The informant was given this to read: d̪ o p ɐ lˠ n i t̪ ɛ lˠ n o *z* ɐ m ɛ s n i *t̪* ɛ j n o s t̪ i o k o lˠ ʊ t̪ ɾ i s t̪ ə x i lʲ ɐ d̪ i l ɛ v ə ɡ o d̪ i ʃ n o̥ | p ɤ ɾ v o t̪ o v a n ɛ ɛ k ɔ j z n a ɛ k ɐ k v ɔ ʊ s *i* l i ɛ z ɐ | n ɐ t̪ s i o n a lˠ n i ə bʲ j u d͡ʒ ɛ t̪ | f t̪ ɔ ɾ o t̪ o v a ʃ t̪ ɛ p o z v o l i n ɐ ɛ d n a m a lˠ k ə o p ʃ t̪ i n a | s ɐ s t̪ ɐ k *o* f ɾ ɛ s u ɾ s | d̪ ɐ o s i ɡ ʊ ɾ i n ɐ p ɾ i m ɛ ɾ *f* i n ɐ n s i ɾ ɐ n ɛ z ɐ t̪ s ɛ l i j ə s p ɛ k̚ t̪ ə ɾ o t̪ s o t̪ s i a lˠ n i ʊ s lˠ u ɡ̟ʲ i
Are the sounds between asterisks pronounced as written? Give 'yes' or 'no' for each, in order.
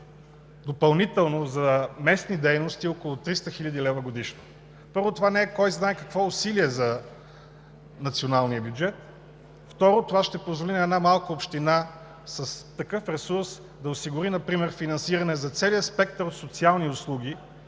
yes, no, yes, no, yes

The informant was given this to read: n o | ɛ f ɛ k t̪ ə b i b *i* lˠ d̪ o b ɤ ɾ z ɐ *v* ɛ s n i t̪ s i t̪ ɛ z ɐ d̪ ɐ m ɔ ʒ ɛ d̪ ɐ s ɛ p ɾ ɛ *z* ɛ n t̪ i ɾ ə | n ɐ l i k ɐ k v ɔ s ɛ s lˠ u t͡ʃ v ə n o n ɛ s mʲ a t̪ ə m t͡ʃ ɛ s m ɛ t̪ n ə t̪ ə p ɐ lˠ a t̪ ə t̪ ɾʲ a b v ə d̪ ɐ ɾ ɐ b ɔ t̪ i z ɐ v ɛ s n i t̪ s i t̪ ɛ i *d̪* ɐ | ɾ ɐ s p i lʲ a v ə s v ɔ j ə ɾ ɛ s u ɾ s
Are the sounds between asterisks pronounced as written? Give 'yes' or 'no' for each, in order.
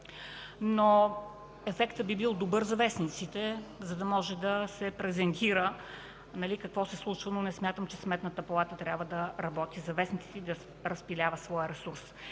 yes, yes, yes, yes

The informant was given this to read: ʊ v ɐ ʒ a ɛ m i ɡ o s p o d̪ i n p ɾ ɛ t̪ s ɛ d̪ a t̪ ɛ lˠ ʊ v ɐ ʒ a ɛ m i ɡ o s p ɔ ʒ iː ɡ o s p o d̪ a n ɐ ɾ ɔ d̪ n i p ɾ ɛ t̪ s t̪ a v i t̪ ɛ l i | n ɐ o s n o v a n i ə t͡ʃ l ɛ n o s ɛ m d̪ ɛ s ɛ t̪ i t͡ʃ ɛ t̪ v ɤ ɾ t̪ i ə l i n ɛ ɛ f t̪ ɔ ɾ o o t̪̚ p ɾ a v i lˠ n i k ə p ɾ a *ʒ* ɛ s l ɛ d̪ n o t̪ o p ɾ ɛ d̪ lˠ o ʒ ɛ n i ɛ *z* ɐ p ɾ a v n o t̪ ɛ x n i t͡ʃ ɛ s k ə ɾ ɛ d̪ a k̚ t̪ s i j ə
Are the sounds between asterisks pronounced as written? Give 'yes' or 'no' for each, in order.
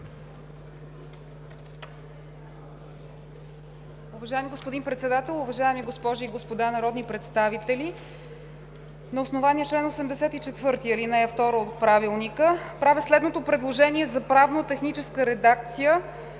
no, yes

